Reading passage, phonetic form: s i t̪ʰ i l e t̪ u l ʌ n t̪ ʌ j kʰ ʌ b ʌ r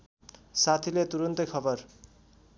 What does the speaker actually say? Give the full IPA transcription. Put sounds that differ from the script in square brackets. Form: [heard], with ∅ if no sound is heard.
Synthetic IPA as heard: s [a] t̪ʰ i l e t̪ u [ɾ] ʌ n t̪ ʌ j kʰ ʌ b ʌ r